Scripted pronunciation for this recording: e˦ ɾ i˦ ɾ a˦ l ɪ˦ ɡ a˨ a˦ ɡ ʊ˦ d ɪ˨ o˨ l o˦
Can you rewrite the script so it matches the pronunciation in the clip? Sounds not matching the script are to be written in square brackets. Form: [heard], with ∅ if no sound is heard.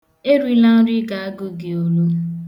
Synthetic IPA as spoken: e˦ ɾ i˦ [l] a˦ [ɾ] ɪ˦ ɡ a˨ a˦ ɡ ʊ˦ [ɡ] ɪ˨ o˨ l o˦